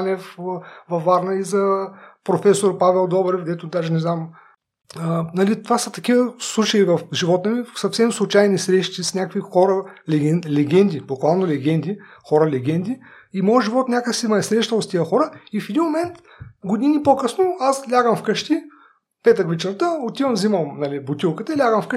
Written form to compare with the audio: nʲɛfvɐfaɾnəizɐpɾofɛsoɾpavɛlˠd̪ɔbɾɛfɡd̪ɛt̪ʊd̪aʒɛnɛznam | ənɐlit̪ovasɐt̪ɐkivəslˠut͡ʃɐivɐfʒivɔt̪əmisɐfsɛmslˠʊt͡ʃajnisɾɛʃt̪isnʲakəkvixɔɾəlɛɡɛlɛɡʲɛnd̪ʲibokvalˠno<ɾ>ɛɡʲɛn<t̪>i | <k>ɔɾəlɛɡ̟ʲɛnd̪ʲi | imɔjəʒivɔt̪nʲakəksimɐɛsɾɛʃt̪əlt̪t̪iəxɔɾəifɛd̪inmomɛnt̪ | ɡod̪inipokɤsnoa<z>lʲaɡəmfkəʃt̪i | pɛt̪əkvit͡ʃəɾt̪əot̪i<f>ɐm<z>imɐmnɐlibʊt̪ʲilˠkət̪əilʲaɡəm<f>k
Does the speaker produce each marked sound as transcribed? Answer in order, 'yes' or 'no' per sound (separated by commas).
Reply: no, no, no, no, no, yes, yes